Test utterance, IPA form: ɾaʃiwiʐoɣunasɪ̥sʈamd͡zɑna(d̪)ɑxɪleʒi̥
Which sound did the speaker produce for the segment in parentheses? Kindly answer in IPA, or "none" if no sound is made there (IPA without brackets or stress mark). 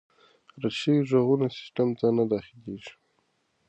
d̪